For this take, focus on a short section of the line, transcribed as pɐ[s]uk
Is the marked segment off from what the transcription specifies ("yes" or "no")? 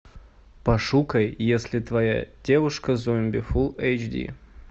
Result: yes